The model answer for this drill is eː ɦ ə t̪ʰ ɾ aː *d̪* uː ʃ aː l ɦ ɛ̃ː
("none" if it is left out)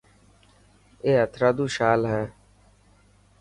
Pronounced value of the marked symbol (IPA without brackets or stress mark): d̪